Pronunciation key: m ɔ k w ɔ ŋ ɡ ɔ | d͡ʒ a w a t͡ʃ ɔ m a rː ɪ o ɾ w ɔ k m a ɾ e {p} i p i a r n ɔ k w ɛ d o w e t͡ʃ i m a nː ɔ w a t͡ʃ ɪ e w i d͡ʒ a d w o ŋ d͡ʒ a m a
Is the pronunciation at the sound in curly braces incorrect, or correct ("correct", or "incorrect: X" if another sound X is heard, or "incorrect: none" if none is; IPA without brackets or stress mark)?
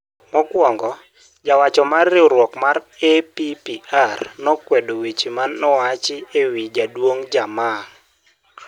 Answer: correct